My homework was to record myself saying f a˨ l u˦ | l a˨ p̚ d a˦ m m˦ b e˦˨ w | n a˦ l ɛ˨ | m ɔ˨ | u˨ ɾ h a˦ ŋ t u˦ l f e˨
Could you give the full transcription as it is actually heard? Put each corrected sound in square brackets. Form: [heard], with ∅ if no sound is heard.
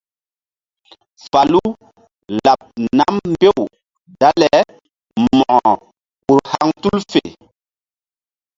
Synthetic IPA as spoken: f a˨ l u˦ | l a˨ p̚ [n] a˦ m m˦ b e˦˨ w | [d] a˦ l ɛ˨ | m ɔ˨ | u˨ ɾ h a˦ ŋ t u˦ l f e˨